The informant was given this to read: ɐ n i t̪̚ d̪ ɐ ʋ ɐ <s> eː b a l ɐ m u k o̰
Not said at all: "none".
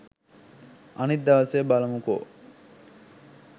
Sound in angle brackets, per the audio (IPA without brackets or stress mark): s